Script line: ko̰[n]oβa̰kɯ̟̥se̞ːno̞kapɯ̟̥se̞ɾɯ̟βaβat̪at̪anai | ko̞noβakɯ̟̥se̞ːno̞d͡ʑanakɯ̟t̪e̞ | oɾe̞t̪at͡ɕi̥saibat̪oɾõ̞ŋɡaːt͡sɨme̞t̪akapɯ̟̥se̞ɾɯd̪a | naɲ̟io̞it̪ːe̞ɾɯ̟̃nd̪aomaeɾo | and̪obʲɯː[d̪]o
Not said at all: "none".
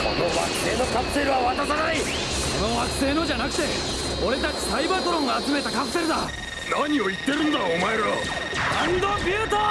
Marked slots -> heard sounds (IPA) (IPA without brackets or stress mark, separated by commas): n, t̪